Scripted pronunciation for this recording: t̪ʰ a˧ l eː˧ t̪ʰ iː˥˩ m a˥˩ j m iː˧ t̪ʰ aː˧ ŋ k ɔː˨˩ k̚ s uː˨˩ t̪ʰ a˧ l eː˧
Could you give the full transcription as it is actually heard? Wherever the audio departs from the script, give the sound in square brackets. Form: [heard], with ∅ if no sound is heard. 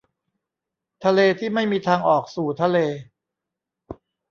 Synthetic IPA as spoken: t̪ʰ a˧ l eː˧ t̪ʰ iː˥˩ m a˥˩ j m iː˧ t̪ʰ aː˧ ŋ [ʔ] ɔː˨˩ k̚ s uː˨˩ t̪ʰ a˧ l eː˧